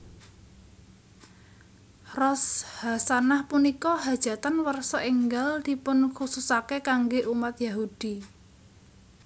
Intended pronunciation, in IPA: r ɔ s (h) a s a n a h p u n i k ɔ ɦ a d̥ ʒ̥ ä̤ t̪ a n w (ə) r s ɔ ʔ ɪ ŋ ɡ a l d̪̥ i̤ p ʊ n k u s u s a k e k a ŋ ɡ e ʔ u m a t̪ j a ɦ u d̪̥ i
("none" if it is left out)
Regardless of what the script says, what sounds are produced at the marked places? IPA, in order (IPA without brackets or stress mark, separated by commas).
h, ə